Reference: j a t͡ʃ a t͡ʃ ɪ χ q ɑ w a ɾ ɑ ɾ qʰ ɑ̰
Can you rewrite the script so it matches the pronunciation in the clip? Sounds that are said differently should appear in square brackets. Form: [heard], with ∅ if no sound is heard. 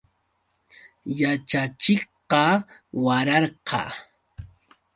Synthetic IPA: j a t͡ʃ a t͡ʃ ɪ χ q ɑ w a ɾ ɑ ɾ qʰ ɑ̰